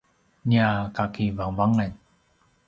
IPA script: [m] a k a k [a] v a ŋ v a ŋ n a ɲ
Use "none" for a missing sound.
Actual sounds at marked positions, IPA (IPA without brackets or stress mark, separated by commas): ɲ, i